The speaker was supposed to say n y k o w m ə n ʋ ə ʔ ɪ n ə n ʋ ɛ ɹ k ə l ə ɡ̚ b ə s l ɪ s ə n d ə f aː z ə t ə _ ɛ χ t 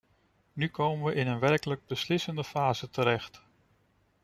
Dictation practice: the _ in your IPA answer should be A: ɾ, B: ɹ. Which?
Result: A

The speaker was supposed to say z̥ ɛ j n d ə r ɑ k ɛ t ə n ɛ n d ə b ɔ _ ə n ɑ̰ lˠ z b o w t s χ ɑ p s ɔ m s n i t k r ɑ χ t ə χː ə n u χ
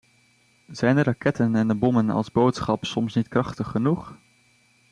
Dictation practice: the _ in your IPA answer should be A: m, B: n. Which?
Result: A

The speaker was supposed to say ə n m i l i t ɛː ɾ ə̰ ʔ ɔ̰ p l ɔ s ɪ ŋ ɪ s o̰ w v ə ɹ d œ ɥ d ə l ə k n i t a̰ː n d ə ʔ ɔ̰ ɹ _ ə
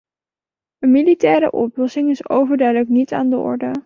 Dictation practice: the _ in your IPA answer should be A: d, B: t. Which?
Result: A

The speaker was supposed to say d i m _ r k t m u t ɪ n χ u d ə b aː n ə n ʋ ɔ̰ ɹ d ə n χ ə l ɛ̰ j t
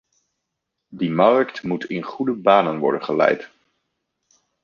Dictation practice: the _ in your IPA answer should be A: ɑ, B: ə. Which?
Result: A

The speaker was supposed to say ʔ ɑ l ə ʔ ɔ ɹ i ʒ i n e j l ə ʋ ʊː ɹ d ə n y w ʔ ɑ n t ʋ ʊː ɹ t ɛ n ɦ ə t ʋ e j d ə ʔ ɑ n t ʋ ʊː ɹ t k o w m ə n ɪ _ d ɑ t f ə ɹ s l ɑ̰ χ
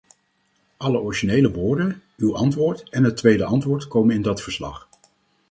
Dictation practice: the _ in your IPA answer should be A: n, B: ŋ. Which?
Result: A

